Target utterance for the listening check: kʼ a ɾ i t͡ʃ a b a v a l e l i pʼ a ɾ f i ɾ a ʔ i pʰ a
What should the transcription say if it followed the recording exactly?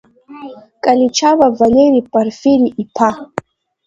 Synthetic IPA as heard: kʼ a l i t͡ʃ a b a v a l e ɾ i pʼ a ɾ f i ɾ i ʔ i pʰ a